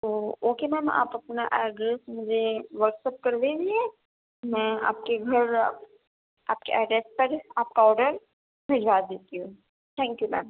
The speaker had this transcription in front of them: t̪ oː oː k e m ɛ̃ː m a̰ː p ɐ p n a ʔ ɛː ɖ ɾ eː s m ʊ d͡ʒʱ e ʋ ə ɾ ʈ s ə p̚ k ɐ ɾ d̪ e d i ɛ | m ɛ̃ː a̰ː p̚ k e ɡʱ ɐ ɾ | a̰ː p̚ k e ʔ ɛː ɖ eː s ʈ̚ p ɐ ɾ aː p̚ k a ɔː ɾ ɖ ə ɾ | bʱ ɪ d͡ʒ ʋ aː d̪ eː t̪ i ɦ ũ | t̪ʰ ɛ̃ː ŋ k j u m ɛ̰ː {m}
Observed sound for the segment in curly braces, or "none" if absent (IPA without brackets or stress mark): m